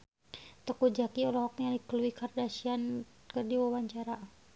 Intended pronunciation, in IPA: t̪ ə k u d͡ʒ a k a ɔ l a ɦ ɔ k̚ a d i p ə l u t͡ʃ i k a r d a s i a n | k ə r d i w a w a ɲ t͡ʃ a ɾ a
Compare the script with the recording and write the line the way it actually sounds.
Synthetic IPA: t̪ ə k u d͡ʒ a k i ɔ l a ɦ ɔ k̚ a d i k ə l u i k a r d a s i a n | k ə r d i w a w a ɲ t͡ʃ a ɾ a